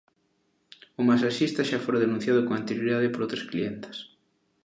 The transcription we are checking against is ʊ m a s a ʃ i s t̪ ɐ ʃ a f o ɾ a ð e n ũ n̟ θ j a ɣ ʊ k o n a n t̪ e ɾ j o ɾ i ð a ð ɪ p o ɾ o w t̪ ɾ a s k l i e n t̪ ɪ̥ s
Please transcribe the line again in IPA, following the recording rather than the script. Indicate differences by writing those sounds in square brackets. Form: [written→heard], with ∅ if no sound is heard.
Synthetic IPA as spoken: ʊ m a s a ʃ i s t̪ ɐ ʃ a f o ɾ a ð e n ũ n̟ θ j a [ɣ→ð] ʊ k o [n→ŋ] a n t̪ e ɾ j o ɾ i ð a ð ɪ p o ɾ o w t̪ ɾ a s k l i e n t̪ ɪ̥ s